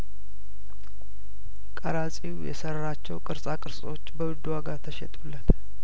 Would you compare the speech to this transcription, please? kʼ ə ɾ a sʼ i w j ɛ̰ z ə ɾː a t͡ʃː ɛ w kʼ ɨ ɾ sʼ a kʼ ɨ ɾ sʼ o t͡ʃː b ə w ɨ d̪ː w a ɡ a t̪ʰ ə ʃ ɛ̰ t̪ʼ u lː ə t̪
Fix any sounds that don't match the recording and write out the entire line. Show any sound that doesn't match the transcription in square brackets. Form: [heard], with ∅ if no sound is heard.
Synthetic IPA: kʼ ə ɾ a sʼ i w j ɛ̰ [s] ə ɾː a t͡ʃː ɛ w kʼ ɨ ɾ sʼ a kʼ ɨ ɾ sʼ o t͡ʃː b ə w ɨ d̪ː w a ɡ a t̪ʰ ə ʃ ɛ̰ t̪ʼ u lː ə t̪